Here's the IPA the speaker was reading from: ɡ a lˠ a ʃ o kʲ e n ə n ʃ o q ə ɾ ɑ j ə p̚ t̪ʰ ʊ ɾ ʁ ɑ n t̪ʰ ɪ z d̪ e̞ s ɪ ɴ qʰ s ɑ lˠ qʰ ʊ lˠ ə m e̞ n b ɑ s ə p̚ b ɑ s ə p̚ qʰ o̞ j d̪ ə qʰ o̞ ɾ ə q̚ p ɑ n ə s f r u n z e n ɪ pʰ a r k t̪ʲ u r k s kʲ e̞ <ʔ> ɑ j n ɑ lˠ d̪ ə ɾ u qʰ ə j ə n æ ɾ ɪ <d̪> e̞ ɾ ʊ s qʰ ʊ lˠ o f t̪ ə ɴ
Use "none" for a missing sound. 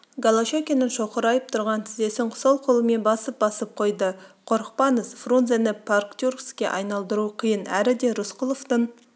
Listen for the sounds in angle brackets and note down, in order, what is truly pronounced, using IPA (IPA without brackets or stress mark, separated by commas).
ʔ, d̪